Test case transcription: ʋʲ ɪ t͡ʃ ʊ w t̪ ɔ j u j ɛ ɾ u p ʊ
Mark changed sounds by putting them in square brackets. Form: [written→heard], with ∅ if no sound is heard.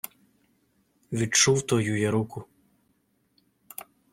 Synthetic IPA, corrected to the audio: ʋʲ [ɪ→i] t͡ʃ [ʊ→u] w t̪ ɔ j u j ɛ ɾ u [p→k] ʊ